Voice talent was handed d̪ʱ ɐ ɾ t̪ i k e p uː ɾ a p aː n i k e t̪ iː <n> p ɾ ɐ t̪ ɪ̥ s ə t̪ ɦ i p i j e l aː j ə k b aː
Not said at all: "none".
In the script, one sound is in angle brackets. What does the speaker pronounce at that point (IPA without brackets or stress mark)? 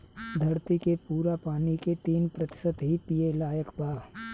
n